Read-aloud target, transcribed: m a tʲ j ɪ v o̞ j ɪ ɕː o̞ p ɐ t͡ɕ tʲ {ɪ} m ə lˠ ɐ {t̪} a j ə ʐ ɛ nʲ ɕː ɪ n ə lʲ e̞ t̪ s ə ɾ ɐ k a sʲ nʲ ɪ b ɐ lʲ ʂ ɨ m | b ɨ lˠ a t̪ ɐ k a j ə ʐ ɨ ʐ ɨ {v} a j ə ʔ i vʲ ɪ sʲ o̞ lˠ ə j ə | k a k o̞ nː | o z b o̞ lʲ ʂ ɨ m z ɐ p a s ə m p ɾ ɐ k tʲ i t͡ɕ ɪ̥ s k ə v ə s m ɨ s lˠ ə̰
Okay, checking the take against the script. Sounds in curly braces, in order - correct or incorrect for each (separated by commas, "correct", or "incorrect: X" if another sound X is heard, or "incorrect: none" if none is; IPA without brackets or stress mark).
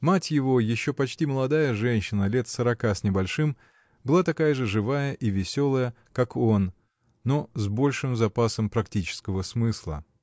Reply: incorrect: i, incorrect: d̪, correct